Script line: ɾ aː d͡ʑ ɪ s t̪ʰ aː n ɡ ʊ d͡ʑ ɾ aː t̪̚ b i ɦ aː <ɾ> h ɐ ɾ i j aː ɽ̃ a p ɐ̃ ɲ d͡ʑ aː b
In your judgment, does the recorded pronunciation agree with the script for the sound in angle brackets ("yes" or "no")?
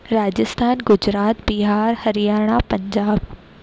yes